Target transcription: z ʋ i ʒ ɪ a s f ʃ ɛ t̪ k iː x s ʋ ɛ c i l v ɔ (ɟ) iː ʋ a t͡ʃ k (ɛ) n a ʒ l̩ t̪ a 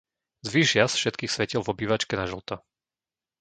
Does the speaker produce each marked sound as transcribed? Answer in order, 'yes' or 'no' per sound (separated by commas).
no, yes